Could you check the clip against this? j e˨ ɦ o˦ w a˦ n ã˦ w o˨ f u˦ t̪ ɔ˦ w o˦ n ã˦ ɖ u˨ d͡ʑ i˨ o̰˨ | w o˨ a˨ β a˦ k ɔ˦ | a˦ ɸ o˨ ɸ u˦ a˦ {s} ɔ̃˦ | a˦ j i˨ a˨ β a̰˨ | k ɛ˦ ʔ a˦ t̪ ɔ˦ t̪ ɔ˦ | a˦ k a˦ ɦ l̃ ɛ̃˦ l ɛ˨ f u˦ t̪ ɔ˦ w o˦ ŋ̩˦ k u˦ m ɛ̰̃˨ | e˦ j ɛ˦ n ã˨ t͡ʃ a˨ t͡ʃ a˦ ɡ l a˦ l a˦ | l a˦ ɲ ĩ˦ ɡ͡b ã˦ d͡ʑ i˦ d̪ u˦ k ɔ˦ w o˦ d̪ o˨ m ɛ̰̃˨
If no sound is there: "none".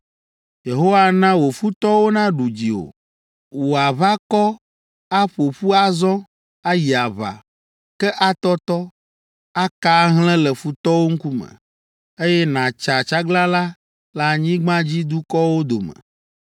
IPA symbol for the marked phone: z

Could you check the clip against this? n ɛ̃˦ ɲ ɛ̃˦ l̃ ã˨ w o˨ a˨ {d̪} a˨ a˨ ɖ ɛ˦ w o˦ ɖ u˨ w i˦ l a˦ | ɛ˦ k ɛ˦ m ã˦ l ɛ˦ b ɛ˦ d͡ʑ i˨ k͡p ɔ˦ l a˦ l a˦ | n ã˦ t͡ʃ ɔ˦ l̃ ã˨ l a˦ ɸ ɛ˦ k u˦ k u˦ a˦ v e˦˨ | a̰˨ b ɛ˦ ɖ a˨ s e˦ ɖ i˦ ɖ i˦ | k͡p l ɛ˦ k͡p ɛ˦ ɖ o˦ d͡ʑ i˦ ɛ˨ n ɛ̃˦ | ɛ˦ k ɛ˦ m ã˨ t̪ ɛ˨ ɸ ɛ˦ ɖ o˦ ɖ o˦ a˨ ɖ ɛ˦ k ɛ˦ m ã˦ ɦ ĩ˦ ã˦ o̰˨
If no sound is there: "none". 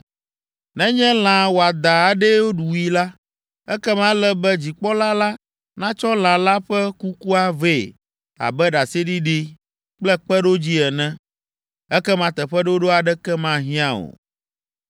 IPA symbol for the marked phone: d̪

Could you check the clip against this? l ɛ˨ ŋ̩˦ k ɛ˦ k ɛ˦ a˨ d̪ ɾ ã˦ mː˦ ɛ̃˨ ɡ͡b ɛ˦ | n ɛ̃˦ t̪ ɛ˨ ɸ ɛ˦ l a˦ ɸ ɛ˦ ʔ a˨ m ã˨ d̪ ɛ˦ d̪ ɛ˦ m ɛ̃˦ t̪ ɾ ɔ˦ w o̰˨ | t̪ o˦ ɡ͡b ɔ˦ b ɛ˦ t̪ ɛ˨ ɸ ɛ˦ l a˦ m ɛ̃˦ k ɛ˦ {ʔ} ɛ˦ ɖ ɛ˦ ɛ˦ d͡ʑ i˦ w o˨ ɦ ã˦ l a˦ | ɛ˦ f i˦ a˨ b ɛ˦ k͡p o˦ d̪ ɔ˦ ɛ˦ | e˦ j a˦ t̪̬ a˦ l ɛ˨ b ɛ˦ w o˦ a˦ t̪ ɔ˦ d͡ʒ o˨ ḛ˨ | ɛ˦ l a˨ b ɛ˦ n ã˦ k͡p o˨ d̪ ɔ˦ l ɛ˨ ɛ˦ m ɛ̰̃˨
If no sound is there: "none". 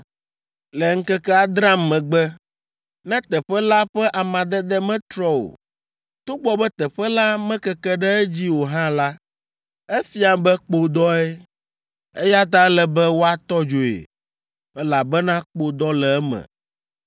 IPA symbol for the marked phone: k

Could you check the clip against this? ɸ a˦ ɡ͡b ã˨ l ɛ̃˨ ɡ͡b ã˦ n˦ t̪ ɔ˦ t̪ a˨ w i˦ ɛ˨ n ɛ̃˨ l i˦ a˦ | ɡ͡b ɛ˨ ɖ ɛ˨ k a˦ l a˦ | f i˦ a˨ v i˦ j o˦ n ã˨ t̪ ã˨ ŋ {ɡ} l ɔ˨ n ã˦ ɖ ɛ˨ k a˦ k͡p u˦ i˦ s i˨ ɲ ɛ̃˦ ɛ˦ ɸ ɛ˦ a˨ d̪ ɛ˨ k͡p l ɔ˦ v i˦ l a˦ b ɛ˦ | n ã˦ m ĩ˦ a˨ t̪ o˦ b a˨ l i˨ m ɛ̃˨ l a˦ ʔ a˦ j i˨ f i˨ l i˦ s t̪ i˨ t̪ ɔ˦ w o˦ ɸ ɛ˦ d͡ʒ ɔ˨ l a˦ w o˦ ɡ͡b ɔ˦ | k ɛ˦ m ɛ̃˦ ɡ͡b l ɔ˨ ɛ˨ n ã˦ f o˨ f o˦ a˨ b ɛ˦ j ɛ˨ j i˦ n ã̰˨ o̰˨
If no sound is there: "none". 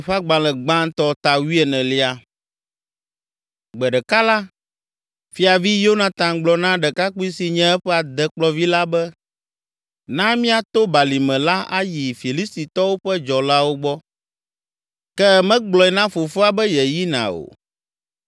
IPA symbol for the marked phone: ɡ͡b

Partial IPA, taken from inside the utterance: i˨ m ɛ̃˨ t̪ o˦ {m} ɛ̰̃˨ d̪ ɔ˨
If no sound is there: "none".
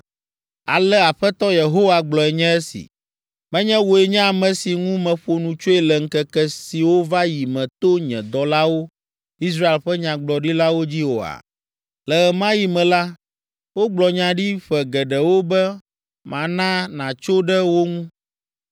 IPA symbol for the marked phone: ɲ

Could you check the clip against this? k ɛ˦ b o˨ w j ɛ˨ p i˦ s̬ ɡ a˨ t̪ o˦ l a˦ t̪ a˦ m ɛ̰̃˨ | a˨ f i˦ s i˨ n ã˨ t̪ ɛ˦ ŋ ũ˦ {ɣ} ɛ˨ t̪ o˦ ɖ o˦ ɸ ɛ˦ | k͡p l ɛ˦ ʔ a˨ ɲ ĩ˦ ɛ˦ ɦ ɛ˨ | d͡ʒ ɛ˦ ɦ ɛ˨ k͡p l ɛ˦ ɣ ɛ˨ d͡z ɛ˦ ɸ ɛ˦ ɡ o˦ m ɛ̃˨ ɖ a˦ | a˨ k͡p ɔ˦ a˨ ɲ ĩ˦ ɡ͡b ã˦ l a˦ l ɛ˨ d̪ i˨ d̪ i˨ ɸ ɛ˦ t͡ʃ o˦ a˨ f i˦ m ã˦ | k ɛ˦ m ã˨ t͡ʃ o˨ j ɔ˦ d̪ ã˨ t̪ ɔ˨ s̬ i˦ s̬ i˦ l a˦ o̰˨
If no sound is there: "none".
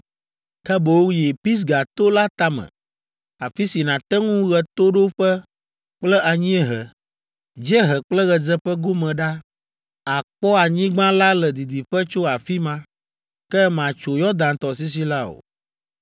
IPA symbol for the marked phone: ɣ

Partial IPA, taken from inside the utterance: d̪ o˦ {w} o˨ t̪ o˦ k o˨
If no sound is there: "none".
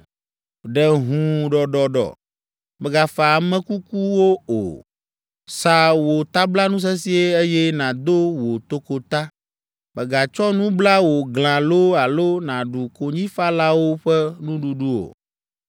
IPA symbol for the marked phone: w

